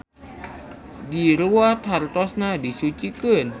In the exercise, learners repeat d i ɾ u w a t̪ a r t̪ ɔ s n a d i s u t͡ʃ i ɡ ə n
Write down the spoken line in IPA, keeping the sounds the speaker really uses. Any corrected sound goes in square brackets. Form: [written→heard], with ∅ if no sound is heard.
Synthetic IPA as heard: d i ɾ u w a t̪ a r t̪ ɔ s n a d i s u t͡ʃ i [ɡ→k] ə n